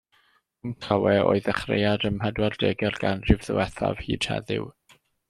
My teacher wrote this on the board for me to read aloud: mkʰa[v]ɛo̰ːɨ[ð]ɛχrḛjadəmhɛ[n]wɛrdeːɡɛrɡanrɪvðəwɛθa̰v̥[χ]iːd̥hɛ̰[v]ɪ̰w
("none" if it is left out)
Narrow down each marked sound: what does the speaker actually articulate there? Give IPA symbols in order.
w, ð, d, h, ð

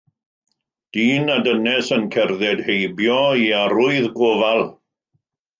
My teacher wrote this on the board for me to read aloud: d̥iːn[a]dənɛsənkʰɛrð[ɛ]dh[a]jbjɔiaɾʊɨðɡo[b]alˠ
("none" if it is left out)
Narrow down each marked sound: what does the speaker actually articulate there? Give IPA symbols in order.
a, ɛ, e, v

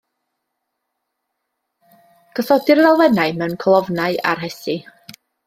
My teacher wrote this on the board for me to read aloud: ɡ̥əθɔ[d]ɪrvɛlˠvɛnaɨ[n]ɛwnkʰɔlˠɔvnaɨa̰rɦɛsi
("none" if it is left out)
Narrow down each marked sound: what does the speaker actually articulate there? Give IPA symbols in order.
d, m

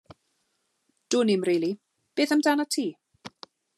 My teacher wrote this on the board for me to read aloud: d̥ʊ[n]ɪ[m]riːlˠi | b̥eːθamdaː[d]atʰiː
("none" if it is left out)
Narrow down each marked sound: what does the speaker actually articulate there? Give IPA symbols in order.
n, m, n

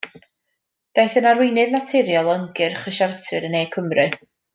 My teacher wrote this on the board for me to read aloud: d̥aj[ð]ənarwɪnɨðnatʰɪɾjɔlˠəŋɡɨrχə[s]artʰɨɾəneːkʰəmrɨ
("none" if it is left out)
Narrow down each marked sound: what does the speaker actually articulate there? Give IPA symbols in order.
θ, ʃ

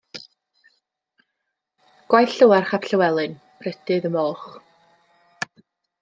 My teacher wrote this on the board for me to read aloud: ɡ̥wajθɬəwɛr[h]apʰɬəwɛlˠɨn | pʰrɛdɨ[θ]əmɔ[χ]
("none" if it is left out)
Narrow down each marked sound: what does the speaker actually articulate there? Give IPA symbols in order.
χ, ð, χ

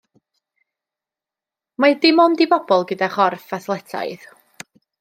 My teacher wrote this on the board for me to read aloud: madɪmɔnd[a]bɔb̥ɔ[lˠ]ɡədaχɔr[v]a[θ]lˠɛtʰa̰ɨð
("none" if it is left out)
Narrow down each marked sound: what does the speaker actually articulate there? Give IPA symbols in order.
i, lˠ, f, θ

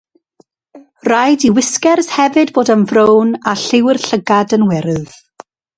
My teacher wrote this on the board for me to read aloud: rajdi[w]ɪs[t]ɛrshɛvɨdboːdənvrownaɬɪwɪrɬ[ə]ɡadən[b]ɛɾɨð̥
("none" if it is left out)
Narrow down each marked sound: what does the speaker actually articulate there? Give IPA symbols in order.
w, k, ə, w

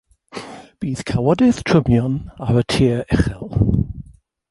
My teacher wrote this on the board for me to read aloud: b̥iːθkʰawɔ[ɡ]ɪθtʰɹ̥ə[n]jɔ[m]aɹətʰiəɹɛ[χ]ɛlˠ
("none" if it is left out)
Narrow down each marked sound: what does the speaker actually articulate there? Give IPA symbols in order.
d, m, n, χ

